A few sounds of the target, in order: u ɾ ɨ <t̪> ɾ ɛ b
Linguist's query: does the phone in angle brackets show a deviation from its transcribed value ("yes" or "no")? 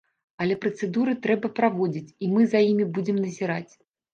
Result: no